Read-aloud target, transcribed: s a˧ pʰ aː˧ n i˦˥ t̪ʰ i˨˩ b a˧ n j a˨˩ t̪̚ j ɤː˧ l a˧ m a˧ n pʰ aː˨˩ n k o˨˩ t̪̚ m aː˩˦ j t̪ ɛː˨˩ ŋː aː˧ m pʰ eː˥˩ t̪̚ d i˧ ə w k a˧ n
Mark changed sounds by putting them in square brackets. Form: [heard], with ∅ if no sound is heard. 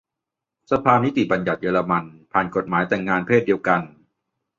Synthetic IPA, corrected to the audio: s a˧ pʰ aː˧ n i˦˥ [t̪] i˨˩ b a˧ n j a˨˩ t̪̚ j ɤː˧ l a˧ m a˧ n pʰ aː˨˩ n k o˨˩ t̪̚ m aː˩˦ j t̪ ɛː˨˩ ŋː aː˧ [n] pʰ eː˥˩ t̪̚ d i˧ ə w k a˧ n